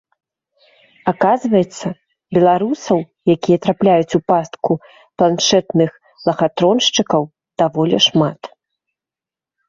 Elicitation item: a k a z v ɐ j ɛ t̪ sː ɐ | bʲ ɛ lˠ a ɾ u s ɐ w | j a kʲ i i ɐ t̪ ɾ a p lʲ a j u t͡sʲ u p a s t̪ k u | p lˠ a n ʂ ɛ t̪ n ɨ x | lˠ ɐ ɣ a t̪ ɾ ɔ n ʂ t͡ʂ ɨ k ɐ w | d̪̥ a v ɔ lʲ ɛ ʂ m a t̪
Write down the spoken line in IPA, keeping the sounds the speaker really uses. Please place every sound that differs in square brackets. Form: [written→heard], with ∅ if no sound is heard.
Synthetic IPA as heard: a k a z v ɐ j ɛ t̪ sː ɐ | bʲ ɛ lˠ a ɾ u s ɐ w | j a kʲ i [i→j] ɐ t̪ ɾ a p lʲ a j u t͡sʲ u p a s t̪ k u | p lˠ a n ʂ ɛ t̪ n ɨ x | lˠ ɐ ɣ a t̪ ɾ ɔ n ʂ t͡ʂ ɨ k ɐ w | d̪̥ a v ɔ lʲ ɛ ʂ m a t̪